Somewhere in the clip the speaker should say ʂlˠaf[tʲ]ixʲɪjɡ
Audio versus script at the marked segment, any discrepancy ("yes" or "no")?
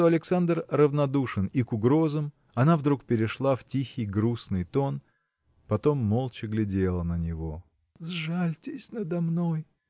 no